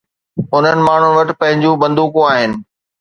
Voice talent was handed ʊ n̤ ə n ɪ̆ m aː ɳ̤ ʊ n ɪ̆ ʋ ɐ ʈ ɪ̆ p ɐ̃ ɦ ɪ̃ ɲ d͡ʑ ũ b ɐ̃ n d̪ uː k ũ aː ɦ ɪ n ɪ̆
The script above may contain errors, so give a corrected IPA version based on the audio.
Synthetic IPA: ʊ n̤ ə n ɪ̆ m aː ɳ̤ ʊ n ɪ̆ ʋ ɐ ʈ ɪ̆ p ɐ̃ ɦ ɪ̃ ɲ d͡ʑ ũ b ɐ̃ n d̪ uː k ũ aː ɦ ɪ n ɪ̆

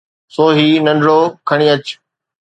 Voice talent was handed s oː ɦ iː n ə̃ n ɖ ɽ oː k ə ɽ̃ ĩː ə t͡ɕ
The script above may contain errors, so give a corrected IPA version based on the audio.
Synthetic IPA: s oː ɦ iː n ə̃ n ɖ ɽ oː kʰ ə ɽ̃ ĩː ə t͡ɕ

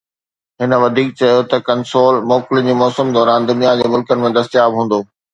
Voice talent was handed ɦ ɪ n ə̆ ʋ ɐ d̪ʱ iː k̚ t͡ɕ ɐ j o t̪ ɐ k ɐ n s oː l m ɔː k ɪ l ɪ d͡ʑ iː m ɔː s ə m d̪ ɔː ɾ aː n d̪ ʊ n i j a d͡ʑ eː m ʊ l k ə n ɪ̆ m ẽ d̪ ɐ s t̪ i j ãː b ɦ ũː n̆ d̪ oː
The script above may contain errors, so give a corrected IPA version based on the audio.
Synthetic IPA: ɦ ɪ n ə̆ ʋ ɐ d̪ʱ iː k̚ t͡ɕ ɐ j o t̪ ɐ k ɐ n s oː l m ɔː k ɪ l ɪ d͡ʑ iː m ɔː s ə m d̪ ɔː ɾ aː n d̪ ʊ n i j a d͡ʑ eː m ʊ l k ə n ɪ̆ m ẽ d̪ ɐ s t̪ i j aː b ɦ ũː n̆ d̪ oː

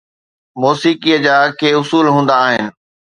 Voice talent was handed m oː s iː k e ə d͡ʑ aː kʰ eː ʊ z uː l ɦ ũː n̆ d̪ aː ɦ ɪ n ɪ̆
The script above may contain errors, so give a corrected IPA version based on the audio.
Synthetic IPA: m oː s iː k i ə d͡ʑ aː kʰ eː ʊ s uː l ɦ ũː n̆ d̪ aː ɦ ɪ n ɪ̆

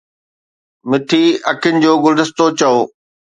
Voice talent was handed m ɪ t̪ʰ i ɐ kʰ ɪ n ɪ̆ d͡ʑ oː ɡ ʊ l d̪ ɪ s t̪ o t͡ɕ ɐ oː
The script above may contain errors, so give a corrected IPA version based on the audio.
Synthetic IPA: m ɪ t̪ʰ i ɐ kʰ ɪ n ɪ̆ d͡ʑ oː ɡ ʊ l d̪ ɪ s t̪ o t͡ɕ ɐ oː

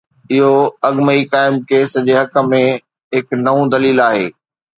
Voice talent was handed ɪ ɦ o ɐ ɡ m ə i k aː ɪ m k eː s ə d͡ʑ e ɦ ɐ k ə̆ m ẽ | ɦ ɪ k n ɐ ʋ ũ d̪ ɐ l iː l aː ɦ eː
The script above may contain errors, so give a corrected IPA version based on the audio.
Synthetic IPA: ɪ ɦ o ɐ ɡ m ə i k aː ɪ m k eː s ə d͡ʑ e ɦ ɐ k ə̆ m ẽ | ɦ ɪ k n ɐ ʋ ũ d̪ ɐ l iː l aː ɦ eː

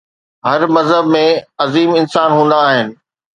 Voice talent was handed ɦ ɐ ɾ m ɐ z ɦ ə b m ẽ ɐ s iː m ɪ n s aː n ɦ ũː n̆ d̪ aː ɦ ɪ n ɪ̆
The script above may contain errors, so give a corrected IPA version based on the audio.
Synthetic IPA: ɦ ɐ ɾ m ɐ z ɦ ə b m ẽ ɐ z iː m ɪ n s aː n ɦ ũː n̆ d̪ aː ɦ ɪ n ɪ̆

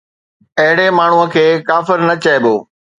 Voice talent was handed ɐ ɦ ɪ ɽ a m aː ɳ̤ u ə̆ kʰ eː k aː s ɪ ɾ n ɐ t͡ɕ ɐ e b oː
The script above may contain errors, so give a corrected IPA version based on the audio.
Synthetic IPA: ɐ ɦ ɪ ɽ e m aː ɳ̤ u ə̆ kʰ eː k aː f ɪ ɾ n ɐ t͡ɕ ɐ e b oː

